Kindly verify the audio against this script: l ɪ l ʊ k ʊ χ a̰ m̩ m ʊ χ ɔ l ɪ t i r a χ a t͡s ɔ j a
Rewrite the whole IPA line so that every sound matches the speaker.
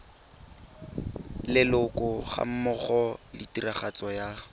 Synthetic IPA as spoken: l ɪ l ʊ k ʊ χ a̰ m̩ m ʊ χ ɔ l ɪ t i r a χ a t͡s ɔ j a